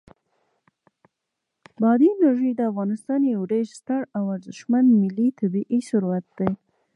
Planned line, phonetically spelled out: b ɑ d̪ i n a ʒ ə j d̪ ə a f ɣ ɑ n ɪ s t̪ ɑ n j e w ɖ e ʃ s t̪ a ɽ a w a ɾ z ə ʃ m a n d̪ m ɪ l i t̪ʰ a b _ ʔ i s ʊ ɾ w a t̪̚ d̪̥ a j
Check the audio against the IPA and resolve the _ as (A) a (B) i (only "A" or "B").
B